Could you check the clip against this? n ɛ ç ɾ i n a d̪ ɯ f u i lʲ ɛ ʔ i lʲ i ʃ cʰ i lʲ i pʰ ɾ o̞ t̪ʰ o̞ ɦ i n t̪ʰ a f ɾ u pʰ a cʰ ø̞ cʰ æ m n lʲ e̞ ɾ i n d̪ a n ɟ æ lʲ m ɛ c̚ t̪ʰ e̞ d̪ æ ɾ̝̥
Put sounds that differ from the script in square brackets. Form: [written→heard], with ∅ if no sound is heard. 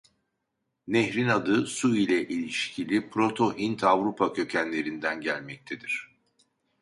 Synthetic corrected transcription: n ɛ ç ɾ i n a d̪ ɯ [f→s] u i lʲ ɛ ʔ i lʲ i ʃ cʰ i lʲ i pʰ ɾ o̞ t̪ʰ o̞ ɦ i n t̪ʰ a [f→v] ɾ u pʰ a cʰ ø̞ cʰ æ [m→∅] n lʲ e̞ ɾ i n d̪ [a→æ] n ɟ æ lʲ m ɛ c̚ t̪ʰ e̞ d̪ [æ→i] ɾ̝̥